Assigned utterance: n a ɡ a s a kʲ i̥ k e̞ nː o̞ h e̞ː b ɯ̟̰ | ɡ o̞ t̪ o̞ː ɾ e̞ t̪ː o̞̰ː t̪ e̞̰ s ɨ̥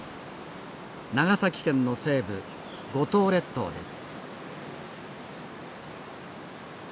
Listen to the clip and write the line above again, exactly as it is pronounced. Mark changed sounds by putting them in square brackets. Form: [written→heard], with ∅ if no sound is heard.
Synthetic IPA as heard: n a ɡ a s a kʲ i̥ k [e̞→ẽ̞] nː o̞ [h→s] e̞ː b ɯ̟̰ | ɡ o̞ t̪ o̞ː ɾ e̞ t̪ː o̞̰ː [t̪→d̪] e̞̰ s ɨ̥

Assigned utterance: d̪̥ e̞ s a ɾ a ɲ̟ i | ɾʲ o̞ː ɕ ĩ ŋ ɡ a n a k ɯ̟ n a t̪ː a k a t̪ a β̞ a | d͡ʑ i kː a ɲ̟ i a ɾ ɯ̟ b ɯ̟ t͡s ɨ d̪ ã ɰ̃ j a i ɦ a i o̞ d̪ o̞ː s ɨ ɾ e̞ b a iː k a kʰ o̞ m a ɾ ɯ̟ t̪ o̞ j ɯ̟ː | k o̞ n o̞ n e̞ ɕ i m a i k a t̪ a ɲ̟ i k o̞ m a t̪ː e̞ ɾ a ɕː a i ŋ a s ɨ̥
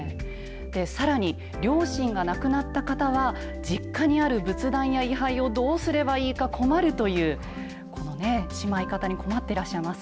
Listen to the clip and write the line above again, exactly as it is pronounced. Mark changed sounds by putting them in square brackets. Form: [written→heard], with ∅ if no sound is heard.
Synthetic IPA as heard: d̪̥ e̞ s a ɾ a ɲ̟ i | ɾʲ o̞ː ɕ ĩ ŋ ɡ a n a k ɯ̟ n a t̪ː a k a t̪ a β̞ a | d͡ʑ i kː a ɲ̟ i a ɾ ɯ̟ b ɯ̟ t͡s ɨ d̪ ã ɰ̃ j a i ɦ a i o̞ d̪ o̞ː s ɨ ɾ e̞ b a iː k a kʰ o̞ m a ɾ ɯ̟ t̪ o̞ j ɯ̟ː | k o̞ n o̞ n e̞ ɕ i m a i k a t̪ a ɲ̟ i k o̞ m a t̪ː e̞ ɾ a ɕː a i [ŋ→m] a s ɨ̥

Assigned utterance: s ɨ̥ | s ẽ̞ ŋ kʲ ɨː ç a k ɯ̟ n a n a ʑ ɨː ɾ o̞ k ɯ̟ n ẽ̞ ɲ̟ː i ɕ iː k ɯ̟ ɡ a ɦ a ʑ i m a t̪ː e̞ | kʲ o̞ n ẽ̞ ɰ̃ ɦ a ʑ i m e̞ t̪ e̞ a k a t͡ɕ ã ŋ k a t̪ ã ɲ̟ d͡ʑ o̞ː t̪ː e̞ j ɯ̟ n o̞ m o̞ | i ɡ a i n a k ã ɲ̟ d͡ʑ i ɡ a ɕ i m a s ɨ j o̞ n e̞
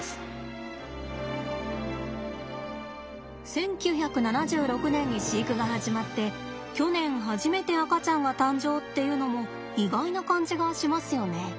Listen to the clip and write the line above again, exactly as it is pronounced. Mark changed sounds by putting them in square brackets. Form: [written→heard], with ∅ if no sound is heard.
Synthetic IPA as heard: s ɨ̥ | s ẽ̞ ŋ kʲ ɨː ç a k ɯ̟ n a n a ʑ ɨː ɾ o̞ k ɯ̟ n ẽ̞ ɲ̟ː i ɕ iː k ɯ̟ ɡ a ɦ a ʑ i m a t̪ː e̞ | kʲ o̞ n ẽ̞ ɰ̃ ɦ a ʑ i m e̞ t̪ e̞ a k a t͡ɕ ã ŋ [k→ɡ] a t̪ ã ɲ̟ d͡ʑ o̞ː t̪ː e̞ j ɯ̟ n o̞ m o̞ | i ɡ a i n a k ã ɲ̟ d͡ʑ i ɡ a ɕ i m a s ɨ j o̞ n e̞

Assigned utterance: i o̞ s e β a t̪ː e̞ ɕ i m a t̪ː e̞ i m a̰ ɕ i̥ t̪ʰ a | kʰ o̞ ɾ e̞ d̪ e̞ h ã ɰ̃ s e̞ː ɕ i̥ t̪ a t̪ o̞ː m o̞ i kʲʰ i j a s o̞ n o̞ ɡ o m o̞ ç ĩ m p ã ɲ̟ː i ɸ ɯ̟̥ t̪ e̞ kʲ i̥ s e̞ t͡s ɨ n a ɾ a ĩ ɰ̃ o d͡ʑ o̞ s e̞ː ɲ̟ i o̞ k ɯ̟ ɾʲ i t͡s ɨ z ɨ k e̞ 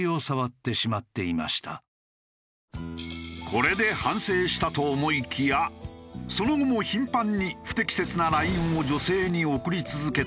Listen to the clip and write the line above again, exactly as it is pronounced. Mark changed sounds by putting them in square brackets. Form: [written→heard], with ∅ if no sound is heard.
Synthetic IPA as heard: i o̞ s [e→a] β a t̪ː e̞ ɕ i m a t̪ː e̞ i m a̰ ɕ i̥ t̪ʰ a | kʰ o̞ ɾ e̞ d̪ e̞ h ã ɰ̃ s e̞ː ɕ i̥ t̪ a t̪ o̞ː m o̞ i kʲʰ i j a s o̞ n o̞ ɡ o m o̞ ç ĩ m p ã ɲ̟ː i ɸ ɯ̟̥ t̪ e̞ kʲ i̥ s e̞ t͡s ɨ n a ɾ a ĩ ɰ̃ o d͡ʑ o̞ s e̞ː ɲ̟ i o̞ k ɯ̟ ɾʲ i t͡s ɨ z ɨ k e̞

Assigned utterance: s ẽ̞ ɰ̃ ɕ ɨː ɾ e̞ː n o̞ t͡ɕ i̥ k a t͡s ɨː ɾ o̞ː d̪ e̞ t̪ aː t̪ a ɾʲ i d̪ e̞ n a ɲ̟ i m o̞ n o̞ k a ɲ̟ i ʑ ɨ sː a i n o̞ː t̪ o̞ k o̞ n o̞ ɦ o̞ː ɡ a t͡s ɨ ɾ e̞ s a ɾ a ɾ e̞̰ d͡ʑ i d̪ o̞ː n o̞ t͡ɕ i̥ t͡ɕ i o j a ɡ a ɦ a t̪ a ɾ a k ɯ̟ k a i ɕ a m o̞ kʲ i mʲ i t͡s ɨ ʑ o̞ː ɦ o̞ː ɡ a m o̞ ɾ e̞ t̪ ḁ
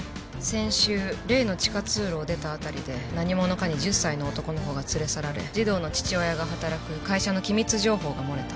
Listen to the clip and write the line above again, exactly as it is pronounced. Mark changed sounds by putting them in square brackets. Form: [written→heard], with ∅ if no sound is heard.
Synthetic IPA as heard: s ẽ̞ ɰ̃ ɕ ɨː ɾ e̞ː n o̞ t͡ɕ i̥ k a t͡s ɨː ɾ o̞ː d̪ e̞ t̪ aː t̪ a ɾʲ i d̪ e̞ n a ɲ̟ i m o̞ n o̞ k a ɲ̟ i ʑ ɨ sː a i n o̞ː t̪ o̞ k o̞ n o̞ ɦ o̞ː ɡ a t͡s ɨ ɾ e̞ s a ɾ a ɾ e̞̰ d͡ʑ i d̪ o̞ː n o̞ t͡ɕ i̥ t͡ɕ i o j a ɡ a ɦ a t̪ a ɾ a k ɯ̟ k a i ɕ a [m→n] o̞ kʲ i mʲ i t͡s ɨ ʑ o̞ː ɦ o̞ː ɡ a m o̞ ɾ e̞ t̪ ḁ

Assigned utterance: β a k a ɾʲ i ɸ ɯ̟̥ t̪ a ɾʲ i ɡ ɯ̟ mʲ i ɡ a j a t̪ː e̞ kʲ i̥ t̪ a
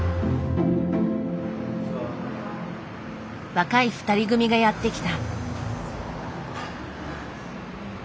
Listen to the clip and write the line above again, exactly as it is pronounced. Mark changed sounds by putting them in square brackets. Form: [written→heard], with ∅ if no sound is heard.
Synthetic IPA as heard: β a k a [ɾʲ→∅] i ɸ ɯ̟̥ t̪ a ɾʲ i ɡ ɯ̟ mʲ i ɡ a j a t̪ː e̞ kʲ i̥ t̪ a

